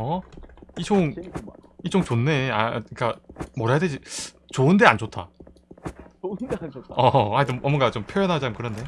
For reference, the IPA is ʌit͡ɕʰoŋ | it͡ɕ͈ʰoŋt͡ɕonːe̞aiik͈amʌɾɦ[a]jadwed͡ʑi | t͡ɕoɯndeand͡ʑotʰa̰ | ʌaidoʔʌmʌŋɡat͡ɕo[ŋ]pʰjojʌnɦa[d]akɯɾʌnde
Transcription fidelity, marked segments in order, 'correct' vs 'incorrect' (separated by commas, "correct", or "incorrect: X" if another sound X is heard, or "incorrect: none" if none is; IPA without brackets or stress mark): correct, incorrect: m, incorrect: d͡ʑ